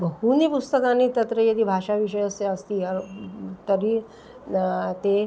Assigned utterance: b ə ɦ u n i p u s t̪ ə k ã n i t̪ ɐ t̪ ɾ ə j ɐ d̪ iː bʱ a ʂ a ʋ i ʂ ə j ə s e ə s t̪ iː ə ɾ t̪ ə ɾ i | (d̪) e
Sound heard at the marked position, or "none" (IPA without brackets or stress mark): t̪